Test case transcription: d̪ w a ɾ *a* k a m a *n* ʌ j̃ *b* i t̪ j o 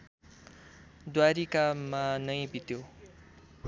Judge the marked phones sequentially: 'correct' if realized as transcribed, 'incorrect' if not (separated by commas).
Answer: incorrect, correct, correct